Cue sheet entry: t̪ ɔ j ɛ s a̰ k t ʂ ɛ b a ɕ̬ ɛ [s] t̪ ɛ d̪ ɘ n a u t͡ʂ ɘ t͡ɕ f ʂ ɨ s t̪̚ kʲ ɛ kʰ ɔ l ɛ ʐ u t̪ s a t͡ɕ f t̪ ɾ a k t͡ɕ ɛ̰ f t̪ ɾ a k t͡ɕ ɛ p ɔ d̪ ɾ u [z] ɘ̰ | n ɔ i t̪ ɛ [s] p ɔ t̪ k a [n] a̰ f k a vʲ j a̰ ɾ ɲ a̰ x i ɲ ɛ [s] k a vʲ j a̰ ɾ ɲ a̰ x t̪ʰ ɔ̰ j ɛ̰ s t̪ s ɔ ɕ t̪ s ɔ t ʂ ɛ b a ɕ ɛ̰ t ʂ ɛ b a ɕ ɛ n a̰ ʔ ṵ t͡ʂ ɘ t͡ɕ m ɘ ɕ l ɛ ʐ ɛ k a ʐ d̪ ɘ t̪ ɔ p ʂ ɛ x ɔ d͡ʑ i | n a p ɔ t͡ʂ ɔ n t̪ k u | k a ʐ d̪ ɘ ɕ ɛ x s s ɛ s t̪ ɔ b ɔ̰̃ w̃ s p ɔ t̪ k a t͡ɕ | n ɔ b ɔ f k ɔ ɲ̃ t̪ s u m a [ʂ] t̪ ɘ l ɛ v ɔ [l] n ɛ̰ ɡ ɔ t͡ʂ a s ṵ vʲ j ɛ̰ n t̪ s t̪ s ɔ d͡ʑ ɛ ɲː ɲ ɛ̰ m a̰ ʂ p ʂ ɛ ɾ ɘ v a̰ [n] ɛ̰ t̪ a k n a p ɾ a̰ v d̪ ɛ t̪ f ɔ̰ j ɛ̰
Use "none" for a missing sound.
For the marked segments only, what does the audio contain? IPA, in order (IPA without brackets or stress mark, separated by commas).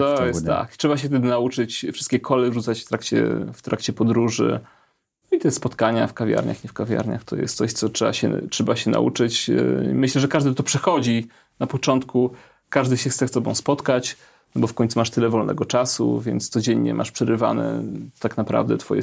f, ʐ, s, ɲ, f, ʂ, l, n